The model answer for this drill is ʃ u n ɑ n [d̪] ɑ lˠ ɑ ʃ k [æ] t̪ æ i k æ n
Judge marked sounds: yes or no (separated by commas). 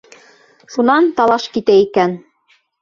no, no